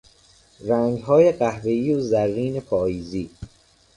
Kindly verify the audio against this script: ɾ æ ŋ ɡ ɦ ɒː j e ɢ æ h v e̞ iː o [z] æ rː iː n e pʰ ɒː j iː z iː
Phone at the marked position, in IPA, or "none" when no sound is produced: z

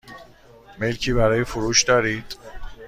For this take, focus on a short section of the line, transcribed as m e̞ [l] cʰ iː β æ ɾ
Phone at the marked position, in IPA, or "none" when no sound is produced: l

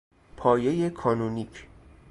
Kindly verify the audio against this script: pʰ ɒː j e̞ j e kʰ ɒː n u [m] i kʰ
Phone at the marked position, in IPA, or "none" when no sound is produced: n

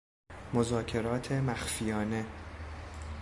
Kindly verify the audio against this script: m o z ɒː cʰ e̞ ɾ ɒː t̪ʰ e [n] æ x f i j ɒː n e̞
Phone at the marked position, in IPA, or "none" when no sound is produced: m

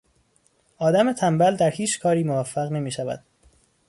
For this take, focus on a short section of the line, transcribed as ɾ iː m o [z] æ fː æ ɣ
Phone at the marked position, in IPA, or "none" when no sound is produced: v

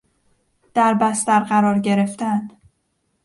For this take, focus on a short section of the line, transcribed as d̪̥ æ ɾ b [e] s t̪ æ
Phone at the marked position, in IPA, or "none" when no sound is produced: æ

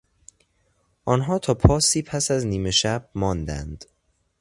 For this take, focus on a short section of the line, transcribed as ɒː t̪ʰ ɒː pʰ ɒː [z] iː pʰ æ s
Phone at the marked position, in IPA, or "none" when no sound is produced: s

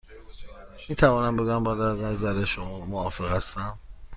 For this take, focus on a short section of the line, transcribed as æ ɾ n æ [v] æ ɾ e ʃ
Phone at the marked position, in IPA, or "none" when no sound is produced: z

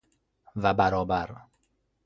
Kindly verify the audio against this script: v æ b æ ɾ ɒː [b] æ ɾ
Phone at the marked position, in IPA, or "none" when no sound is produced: b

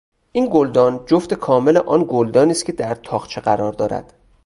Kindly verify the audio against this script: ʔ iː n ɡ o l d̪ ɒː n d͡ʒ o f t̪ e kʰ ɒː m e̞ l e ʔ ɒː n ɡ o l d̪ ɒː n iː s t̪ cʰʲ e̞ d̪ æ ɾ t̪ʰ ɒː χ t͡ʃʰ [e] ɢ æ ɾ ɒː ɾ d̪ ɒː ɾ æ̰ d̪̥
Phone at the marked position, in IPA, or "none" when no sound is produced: e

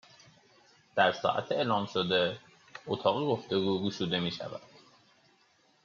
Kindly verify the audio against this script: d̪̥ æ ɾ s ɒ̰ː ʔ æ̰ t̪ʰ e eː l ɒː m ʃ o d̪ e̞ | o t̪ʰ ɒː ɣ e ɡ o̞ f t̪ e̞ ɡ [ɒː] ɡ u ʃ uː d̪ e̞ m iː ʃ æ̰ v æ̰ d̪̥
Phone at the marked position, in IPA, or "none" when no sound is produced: uː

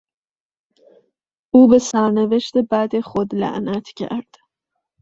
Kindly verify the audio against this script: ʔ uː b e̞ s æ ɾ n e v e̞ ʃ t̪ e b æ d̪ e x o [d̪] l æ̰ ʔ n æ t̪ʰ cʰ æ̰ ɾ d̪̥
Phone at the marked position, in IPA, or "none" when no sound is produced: d̪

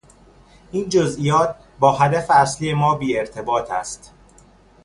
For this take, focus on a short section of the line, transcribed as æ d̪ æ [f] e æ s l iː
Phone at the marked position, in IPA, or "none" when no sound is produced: f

